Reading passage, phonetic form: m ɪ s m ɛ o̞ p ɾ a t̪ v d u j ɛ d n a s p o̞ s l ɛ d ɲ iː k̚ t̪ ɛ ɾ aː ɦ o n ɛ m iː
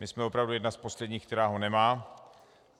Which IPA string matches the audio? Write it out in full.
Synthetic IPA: m ɪ s m ɛ o̞ p ɾ a v d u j ɛ d n a s p o̞ s l ɛ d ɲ iː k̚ t̪ ɛ ɾ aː ɦ o n ɛ m aː

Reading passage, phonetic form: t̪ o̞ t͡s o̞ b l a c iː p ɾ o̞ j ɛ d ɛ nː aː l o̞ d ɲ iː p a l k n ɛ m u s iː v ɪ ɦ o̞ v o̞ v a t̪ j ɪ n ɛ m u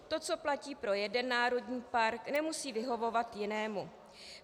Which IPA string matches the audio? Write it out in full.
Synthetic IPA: t̪ o̞ t͡s o̞ p l a c iː p ɾ o̞ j ɛ d ɛ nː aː ɾ o̞ d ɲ iː p a ɾ k n ɛ m u s iː v ɪ ɦ o̞ v o̞ v a t̪ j ɪ n ɛː m u

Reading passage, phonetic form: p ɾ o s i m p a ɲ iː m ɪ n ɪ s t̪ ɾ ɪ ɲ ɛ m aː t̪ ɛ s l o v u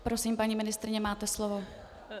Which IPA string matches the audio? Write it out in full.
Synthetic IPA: p ɾ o s i m p a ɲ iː m ɪ n ɪ s t̪ ɾ ɪ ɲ ɛ m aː t̪ ɛ s l o v o

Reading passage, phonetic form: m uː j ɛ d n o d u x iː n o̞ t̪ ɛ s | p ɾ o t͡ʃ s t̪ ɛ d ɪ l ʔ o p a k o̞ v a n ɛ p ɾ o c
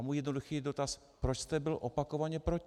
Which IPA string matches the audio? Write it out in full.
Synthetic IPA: m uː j ɛ d n o d u x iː d o̞ t̪ a s | p ɾ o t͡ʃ s t̪ ɛ b ɪ l ʔ o p a k o̞ v a ɲ ɛ p ɾ o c

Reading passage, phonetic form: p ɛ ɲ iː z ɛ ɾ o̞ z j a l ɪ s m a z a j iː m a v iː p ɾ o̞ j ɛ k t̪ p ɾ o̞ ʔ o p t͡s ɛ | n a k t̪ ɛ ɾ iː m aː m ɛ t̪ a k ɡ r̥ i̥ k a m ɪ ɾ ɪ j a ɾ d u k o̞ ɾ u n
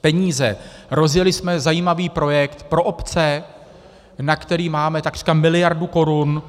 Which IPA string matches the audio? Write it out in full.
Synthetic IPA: p ɛ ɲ iː z ɛ ɾ o̞ z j ɛ l ɪ s m ɛ z a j iː m a v iː p ɾ o̞ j ɛ k t̪ p ɾ o̞ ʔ o p t͡s ɛ | n a k t̪ ɛ ɾ iː m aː m ɛ t̪ a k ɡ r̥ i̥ k a m ɪ l ɪ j a ɾ d u k o̞ ɾ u n

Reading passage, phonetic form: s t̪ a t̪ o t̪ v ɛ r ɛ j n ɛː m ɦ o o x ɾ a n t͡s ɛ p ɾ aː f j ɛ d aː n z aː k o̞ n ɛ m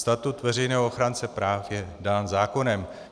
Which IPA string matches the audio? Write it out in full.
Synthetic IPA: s t̪ a t̪ u t̪ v ɛ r ɛ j n ɛː ɦ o o x ɾ a n t͡s ɛ p ɾ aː f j ɛ d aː n z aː k o̞ n ɛ m

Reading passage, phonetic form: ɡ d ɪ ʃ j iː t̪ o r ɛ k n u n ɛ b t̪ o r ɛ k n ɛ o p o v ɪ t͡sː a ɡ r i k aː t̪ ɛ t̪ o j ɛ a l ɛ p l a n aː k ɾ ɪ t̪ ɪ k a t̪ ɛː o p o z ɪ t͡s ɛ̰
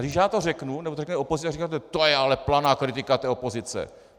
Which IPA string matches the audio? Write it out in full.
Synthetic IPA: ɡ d ɪ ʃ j aː t̪ o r ɛ k n u n ɛ b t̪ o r ɛ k n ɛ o p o z ɪ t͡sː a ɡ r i k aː t̪ ɛ t̪ o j ɛ a l ɛ p l a n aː k ɾ ɪ t̪ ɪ k a t̪ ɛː o p o z ɪ t͡s ɛ̰

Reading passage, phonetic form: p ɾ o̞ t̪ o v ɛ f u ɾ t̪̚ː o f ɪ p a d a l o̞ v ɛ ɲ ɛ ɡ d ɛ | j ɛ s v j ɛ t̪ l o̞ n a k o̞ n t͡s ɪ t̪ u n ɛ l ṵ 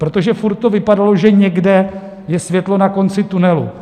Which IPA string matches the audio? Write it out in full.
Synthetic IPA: p ɾ o̞ t̪ o ʒ ɛ f u ɾ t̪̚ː o v ɪ p a d a l o̞ ʒ ɛ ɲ ɛ ɡ d ɛ | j ɛ s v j ɛ t̪ l o̞ n a k o̞ n t͡s ɪ t̪ u n ɛ l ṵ

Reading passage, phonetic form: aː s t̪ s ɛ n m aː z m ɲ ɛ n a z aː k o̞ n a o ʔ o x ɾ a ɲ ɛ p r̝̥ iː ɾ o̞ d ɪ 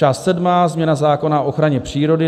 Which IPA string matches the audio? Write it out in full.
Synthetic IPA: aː s t̪ s ɛ d m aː z m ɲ ɛ n a z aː k o̞ n a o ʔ o x ɾ a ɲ ɛ p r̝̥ iː ɾ o̞ d ɪ

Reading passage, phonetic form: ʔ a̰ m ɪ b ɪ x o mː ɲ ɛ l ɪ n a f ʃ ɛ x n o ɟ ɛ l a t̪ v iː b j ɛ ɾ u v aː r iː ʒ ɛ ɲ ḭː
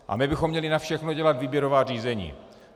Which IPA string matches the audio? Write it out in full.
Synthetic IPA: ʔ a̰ m ɪ b ɪ x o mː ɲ ɛ l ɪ n a f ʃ ɛ x n o ɟ ɛ l a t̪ v iː b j ɛ ɾ o v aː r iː z ɛ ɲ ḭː

